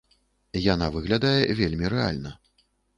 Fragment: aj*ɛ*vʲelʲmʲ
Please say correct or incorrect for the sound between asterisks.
correct